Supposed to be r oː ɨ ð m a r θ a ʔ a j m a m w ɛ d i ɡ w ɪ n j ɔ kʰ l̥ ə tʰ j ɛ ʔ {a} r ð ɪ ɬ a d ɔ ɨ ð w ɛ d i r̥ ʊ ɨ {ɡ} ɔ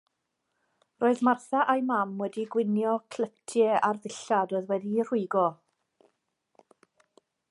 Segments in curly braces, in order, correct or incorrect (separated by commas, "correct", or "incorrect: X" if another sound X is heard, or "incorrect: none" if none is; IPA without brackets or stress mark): correct, correct